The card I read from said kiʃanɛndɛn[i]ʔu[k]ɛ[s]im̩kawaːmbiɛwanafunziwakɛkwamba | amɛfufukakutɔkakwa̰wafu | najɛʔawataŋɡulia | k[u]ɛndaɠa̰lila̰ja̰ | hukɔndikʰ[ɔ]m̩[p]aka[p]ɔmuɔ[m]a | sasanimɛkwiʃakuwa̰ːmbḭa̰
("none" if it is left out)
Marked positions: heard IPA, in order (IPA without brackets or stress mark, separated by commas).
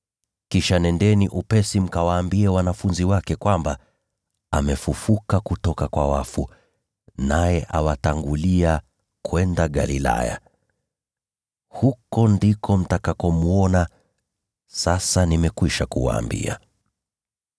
i, p, s, w, ɔ, t, k, n